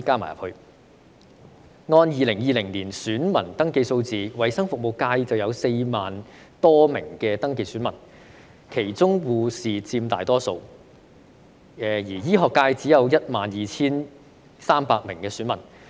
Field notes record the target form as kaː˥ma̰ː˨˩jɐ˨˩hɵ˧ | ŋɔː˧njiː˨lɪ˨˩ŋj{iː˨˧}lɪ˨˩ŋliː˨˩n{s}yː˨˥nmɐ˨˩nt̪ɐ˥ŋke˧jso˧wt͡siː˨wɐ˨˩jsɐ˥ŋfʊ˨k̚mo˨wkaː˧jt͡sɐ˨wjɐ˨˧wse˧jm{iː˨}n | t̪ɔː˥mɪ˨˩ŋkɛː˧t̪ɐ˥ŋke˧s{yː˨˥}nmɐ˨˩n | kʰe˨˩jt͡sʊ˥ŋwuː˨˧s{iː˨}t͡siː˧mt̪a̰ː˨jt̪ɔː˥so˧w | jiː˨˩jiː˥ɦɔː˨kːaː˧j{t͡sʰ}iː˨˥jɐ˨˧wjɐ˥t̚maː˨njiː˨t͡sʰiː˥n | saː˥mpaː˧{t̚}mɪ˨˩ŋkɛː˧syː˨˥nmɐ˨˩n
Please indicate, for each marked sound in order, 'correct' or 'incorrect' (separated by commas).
correct, correct, incorrect, correct, correct, incorrect, incorrect